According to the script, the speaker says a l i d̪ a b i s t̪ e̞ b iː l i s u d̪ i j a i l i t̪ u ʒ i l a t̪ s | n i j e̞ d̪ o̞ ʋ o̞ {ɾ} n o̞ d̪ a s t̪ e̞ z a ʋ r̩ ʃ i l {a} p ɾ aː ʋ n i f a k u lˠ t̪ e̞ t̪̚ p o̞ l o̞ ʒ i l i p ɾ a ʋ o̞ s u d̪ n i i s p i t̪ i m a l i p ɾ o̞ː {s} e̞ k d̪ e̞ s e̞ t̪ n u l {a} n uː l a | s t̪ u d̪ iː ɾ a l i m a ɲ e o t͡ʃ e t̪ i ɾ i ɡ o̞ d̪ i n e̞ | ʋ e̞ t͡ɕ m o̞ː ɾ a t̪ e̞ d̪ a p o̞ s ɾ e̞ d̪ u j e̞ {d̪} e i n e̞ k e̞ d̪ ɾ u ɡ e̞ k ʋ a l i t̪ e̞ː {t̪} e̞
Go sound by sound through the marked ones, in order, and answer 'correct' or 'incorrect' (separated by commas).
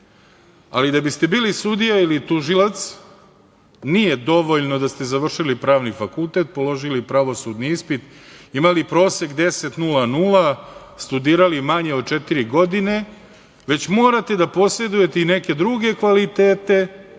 incorrect, incorrect, correct, correct, incorrect, correct